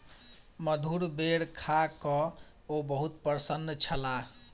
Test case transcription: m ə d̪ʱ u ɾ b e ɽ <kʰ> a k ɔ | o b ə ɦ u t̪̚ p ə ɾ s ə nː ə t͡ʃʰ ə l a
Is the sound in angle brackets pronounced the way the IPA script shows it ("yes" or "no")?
yes